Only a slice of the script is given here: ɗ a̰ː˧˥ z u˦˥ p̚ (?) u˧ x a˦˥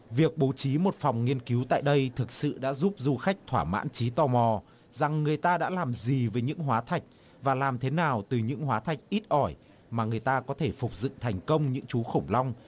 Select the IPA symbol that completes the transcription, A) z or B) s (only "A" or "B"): A